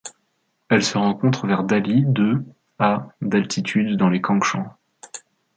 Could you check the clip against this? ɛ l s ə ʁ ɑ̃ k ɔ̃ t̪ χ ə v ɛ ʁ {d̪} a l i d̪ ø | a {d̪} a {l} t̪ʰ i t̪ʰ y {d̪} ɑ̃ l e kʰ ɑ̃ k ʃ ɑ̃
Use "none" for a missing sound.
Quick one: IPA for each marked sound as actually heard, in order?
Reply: d̪, d̪, l, d̪ː

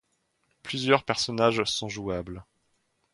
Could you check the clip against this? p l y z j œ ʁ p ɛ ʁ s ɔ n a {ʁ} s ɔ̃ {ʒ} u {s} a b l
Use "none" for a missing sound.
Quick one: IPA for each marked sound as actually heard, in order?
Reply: ʒ, ʒ, none

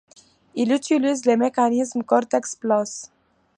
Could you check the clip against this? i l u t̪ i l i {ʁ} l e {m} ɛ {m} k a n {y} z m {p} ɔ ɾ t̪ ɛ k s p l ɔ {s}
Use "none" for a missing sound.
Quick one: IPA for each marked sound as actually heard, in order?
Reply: z, m, none, i, k, s

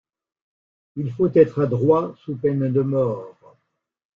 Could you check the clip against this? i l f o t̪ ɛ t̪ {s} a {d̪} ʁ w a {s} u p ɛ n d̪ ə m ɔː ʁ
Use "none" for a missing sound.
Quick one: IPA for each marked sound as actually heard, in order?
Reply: χ, d̪, s

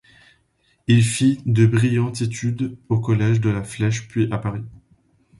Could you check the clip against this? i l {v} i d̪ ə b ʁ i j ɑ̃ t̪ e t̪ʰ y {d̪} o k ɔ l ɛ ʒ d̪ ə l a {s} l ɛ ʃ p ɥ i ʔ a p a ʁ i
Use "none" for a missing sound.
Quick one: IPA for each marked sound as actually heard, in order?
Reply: f, d̪, f

